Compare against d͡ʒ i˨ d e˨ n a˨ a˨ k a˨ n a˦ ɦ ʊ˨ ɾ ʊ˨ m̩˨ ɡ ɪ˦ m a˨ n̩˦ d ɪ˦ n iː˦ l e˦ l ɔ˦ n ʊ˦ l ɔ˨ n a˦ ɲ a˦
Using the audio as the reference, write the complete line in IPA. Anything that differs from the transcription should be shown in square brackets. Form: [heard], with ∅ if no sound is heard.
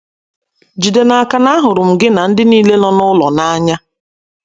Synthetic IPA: d͡ʒ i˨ d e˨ n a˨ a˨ k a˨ n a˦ ɦ ʊ˨ ɾ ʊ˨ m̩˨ ɡ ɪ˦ [n] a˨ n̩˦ d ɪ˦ n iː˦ l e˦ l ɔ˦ n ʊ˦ l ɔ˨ n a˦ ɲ a˦